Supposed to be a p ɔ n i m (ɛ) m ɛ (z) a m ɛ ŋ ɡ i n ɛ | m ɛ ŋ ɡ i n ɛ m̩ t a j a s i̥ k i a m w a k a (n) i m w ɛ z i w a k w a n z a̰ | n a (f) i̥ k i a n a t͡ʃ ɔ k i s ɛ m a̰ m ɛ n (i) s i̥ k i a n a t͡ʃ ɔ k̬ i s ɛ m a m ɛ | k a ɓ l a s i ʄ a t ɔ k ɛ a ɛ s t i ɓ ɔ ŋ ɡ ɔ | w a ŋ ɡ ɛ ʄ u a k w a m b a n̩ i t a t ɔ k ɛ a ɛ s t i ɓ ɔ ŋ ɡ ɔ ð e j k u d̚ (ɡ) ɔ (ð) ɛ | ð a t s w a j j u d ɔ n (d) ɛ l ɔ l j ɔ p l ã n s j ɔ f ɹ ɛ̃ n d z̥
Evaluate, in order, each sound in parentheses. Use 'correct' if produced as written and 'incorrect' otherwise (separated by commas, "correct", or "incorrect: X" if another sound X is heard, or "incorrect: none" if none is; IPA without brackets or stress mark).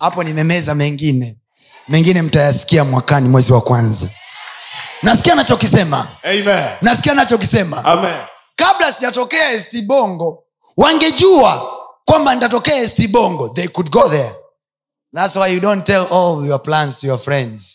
correct, correct, correct, incorrect: s, incorrect: a, correct, correct, incorrect: t